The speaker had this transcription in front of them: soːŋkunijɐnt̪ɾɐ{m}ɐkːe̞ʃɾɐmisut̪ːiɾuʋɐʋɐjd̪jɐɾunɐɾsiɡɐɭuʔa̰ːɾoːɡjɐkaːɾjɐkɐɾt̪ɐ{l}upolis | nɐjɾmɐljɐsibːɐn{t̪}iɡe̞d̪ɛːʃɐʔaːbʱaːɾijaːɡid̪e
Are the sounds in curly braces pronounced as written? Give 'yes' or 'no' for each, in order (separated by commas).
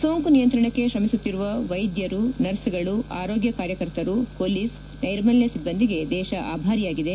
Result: no, no, no